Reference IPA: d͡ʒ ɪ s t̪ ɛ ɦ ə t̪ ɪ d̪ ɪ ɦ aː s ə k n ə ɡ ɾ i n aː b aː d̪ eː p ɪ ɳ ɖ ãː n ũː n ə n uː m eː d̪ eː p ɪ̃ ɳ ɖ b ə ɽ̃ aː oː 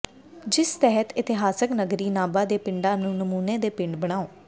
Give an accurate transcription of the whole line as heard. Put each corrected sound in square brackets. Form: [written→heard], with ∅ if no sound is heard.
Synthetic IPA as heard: d͡ʒ ɪ s t̪ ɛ ɦ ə t̪ ɪ [d̪→t̪] ɪ ɦ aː s ə k n ə ɡ ɾ [i→iː] n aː b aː d̪ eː p ɪ ɳ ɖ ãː n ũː n ə [n→m] uː [m→n] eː d̪ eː p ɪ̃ ɳ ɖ b ə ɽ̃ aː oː